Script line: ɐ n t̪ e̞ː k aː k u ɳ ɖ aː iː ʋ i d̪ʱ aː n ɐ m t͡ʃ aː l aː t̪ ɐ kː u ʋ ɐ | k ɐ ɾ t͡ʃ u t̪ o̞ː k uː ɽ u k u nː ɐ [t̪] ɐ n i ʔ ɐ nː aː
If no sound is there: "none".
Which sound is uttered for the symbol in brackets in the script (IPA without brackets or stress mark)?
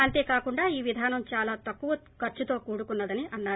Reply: d̪